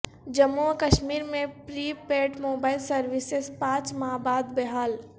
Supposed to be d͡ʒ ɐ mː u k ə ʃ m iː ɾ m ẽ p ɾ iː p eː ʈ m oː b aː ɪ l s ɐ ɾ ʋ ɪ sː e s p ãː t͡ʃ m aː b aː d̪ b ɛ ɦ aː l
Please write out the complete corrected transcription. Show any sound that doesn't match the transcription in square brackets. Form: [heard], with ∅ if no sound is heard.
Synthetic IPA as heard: d͡ʒ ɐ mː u k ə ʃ m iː ɾ m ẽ p ɾ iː p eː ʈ m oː b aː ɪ l s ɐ ɾ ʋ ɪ [s] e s p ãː t͡ʃ m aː b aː d̪ b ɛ ɦ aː l